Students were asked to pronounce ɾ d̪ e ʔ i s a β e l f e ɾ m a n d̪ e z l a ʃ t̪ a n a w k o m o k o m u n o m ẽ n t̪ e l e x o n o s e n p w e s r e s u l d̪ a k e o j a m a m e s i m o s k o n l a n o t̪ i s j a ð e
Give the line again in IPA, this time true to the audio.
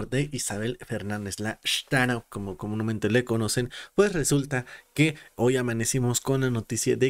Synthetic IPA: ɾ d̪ e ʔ i s a β e l f e ɾ n a n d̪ e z l a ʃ t̪ a n a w k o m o k o m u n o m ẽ n t̪ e l e k o n o s e n p w e s r e s u l t̪ a k e o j a m a n e s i m o s k o n l a n o t̪ i s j a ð e